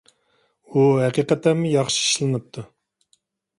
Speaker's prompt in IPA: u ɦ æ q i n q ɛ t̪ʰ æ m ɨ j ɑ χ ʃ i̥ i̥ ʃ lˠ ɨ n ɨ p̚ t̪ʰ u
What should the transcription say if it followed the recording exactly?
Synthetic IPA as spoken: u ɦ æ q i q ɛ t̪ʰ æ m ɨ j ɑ χ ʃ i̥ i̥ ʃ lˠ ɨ n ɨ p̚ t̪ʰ u